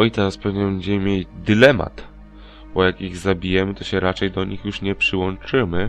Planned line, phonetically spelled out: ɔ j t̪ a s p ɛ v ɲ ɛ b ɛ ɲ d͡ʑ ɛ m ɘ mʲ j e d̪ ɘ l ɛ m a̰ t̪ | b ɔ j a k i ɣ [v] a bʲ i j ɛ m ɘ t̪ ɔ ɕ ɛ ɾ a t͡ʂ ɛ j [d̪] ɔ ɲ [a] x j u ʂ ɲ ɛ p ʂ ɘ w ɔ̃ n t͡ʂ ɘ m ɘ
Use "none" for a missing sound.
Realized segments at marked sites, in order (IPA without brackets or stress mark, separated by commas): z, d̪, i